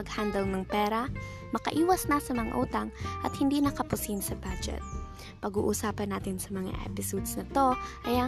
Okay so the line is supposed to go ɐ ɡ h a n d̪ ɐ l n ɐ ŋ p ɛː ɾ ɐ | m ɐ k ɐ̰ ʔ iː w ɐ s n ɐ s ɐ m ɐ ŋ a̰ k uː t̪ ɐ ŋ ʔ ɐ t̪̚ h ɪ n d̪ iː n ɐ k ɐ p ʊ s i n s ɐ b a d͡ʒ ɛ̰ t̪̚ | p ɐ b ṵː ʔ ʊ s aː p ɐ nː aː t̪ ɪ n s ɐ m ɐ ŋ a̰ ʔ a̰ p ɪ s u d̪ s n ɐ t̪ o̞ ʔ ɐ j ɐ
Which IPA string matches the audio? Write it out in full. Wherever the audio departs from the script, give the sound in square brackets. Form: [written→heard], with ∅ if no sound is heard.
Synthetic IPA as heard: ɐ ɡ h a n d̪ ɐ l n ɐ ŋ p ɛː ɾ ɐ | m ɐ k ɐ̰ ʔ iː w ɐ s n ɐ s ɐ m ɐ ŋ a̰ [k→ʔ] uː t̪ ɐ ŋ ʔ ɐ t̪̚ h ɪ n d̪ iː n ɐ k ɐ p ʊ s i n s ɐ b a d͡ʒ ɛ̰ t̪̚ | p ɐ [b→ɡ] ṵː ʔ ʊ s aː p ɐ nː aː t̪ ɪ n s ɐ m ɐ ŋ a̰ ʔ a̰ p ɪ s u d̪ s n ɐ t̪ o̞ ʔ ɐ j ɐ